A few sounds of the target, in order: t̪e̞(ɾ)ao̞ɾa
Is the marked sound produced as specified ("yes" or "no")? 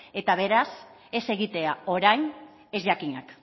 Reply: no